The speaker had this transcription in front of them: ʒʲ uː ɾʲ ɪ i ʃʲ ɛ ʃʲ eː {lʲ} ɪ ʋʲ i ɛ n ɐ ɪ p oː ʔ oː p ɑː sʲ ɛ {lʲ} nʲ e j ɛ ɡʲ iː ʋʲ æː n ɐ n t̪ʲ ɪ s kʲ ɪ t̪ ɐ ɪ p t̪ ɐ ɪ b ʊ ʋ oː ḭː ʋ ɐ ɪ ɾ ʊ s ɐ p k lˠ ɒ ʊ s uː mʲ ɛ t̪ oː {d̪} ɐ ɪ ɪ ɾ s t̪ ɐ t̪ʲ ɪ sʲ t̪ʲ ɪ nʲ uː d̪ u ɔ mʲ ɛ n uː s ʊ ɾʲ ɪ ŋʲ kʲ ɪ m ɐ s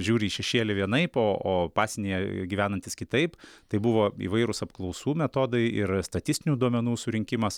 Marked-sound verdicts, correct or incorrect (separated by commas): correct, incorrect, correct